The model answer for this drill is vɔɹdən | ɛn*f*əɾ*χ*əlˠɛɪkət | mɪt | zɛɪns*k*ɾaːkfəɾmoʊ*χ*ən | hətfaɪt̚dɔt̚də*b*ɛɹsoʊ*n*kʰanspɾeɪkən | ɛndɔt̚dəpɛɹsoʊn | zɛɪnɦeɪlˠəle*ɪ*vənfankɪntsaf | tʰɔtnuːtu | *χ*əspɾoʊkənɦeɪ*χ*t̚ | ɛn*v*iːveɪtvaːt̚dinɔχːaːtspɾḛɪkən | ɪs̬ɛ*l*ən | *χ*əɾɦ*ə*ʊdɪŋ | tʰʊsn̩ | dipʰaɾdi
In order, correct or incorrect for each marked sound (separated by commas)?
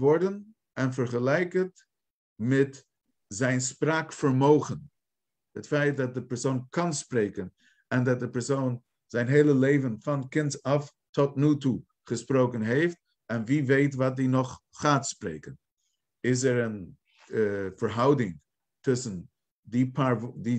correct, correct, incorrect, correct, incorrect, correct, correct, correct, incorrect, correct, incorrect, incorrect, incorrect